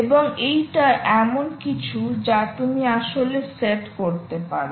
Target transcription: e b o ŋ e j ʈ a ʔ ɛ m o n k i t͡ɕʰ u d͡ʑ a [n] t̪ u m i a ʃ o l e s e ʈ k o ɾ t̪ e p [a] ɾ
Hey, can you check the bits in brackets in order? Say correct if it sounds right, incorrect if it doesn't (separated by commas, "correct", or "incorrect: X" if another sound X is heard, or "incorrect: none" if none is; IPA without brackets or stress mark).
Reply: incorrect: none, correct